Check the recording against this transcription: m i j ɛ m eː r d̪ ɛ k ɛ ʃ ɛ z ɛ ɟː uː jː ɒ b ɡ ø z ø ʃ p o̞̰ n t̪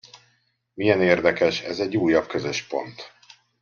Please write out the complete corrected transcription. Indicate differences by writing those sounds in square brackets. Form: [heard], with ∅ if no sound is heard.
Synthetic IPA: m i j ɛ [n] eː r d̪ ɛ k ɛ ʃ ɛ z ɛ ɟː uː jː ɒ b [k] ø z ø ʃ p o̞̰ n t̪

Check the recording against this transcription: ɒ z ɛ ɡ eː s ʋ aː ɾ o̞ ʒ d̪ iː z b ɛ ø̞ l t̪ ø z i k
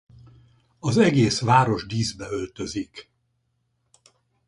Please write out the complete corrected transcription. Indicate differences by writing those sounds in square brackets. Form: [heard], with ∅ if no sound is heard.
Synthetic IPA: ɒ z ɛ ɡ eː s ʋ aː ɾ o̞ ʒ d̪ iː z b ɛ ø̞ l t̪ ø z i k

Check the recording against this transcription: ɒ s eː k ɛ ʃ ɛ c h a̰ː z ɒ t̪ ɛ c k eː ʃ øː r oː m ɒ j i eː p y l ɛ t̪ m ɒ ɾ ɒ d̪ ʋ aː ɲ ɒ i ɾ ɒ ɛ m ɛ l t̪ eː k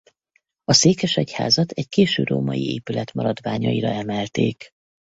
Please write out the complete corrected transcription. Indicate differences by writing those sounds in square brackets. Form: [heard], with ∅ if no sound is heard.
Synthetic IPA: ɒ s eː k ɛ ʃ ɛ c h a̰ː z ɒ t̪ ɛ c k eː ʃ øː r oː m ɒ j i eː p y l ɛ t̪ m ɒ ɾ ɒ d̪ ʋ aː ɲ ɒ i ɾ ɒ ɛ m ɛ l t̪ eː k

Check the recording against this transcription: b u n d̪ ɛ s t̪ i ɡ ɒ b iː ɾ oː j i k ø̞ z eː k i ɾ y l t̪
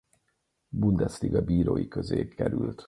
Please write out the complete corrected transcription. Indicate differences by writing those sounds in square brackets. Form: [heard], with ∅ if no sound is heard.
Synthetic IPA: b u n d̪ ɛ s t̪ i ɡ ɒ b iː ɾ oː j i k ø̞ z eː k [ɛ] ɾ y l t̪

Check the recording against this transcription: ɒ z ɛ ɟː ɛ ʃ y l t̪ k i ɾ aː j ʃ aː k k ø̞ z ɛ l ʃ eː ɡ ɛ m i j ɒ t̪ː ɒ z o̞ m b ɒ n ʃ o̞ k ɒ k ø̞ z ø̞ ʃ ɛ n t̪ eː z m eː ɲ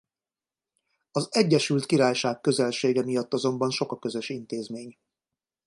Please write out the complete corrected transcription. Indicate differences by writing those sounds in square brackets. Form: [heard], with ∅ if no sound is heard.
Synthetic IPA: ɒ z ɛ ɟː ɛ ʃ y l t̪ k i ɾ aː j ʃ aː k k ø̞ z ɛ l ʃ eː ɡ ɛ m i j ɒ t̪ː ɒ z o̞ m b ɒ n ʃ o̞ k ɒ k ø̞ z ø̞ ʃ [i] n t̪ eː z m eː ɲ

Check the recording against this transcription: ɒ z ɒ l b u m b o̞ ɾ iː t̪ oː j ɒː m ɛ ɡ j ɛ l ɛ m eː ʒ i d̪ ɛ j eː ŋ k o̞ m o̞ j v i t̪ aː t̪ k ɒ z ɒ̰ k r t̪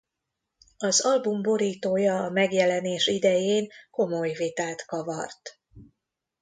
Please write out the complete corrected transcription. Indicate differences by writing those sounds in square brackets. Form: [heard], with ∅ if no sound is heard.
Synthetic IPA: ɒ z ɒ l b u m b o̞ ɾ iː t̪ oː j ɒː m ɛ ɡ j ɛ l ɛ [n] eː [ʃ] i d̪ ɛ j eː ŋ k o̞ m o̞ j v i t̪ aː t̪ k ɒ [v] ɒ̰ [∅] r t̪

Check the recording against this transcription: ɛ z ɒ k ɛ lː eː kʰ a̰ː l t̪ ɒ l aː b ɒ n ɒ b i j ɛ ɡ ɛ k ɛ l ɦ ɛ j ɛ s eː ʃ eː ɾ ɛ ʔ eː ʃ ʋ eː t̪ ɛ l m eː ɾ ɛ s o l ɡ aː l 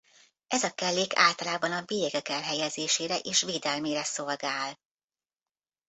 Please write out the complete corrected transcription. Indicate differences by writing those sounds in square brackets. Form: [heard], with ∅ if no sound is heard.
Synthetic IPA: ɛ z ɒ k ɛ lː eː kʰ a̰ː l t̪ ɒ l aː b ɒ n ɒ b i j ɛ ɡ ɛ k ɛ l ɦ ɛ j ɛ [z] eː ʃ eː ɾ ɛ ʔ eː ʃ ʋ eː [d̪] ɛ l m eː ɾ ɛ s o l ɡ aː l

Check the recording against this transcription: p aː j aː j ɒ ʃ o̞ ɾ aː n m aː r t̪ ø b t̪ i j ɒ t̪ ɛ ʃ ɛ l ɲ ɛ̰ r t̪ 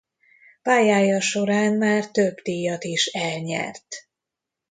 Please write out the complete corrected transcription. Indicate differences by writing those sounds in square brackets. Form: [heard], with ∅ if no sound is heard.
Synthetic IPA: p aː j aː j ɒ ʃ o̞ ɾ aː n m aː r t̪ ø b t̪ i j ɒ t̪ [i] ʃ ɛ l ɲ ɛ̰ r t̪

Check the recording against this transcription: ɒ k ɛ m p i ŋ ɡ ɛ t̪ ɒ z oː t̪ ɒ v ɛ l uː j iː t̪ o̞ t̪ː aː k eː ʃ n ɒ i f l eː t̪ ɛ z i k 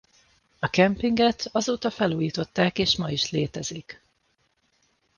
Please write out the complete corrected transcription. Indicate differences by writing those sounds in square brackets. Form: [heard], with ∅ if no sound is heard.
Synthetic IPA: ɒ k ɛ m p i ŋ ɡ ɛ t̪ ɒ z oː t̪ ɒ [f] ɛ l uː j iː t̪ o̞ t̪ː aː k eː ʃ [m] ɒ i [ʃ] l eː t̪ ɛ z i k

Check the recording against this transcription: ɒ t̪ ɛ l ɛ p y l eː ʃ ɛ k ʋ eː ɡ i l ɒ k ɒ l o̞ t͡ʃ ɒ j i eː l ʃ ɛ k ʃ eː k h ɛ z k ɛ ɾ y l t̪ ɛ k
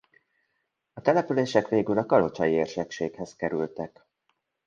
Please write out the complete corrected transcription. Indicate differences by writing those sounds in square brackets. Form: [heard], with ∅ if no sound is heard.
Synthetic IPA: ɒ t̪ ɛ l ɛ p y l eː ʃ ɛ k ʋ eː ɡ [y] l ɒ k ɒ l o̞ t͡ʃ ɒ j i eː [r] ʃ ɛ k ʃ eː k h ɛ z k ɛ ɾ y l t̪ ɛ k

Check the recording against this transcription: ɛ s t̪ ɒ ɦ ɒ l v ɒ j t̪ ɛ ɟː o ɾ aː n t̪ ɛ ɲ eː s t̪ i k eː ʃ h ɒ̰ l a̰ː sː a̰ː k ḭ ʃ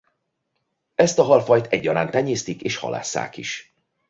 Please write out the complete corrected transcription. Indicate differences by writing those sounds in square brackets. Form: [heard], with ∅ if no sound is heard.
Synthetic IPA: ɛ s t̪ ɒ ɦ ɒ l [f] ɒ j t̪ ɛ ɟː [ɒ] ɾ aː n t̪ ɛ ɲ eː s t̪ i k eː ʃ h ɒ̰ l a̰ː sː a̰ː k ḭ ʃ

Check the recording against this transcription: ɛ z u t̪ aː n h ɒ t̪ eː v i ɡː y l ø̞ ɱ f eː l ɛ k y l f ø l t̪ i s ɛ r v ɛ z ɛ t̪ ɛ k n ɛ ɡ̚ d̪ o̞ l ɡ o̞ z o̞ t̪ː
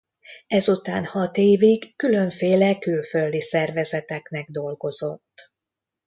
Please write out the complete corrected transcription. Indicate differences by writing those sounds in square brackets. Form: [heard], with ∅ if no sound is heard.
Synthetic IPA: ɛ z u t̪ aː n h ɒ t̪ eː v i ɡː y l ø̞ ɱ f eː l ɛ k y l f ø l [d̪] i s ɛ r v ɛ z ɛ t̪ ɛ k n ɛ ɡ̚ d̪ o̞ l ɡ o̞ z o̞ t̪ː

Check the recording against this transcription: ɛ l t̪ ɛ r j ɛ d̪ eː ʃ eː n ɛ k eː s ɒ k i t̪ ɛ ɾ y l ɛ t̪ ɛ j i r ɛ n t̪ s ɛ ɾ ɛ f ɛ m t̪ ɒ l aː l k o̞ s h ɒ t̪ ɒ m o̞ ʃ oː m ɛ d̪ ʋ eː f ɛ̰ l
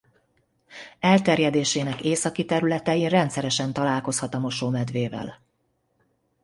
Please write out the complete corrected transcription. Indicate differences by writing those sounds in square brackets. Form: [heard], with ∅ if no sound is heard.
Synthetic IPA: ɛ l t̪ ɛ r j ɛ d̪ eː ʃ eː n ɛ k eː s ɒ k i t̪ ɛ ɾ y l ɛ t̪ ɛ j i r ɛ n t̪ s ɛ ɾ ɛ [ʃ] ɛ [n] t̪ ɒ l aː l k o̞ s h ɒ t̪ ɒ m o̞ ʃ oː m ɛ d̪ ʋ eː [v] ɛ̰ l

